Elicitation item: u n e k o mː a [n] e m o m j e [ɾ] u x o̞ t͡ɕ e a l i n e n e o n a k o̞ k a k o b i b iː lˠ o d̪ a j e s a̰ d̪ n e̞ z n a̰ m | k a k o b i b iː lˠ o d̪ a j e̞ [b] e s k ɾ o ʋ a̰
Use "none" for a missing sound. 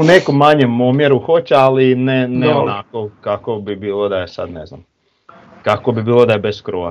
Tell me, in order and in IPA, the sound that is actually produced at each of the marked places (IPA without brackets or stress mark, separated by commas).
ɲ, ɾ, b